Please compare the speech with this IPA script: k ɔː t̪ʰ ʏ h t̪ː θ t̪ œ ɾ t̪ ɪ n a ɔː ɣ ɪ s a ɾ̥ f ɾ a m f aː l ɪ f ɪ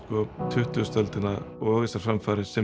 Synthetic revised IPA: k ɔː t̪ʰ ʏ h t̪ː s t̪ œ l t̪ ɪ n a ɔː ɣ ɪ s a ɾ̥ f ɾ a m f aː ɾ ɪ s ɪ